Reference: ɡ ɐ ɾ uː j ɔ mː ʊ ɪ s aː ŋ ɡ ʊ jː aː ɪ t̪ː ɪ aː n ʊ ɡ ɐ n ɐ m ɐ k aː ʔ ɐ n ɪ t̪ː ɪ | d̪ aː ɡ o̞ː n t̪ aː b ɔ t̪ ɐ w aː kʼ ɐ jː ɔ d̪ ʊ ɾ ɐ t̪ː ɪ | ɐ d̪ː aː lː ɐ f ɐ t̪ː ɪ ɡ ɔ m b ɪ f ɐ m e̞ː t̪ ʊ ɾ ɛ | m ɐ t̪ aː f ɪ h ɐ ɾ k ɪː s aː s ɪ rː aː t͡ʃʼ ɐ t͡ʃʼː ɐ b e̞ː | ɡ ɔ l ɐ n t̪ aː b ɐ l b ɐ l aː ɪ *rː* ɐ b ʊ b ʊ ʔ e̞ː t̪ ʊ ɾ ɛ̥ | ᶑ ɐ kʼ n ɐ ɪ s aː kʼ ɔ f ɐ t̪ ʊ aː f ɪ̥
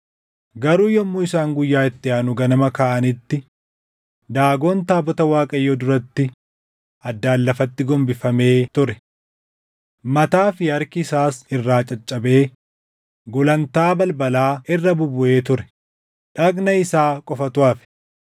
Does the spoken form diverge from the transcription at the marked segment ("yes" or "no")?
no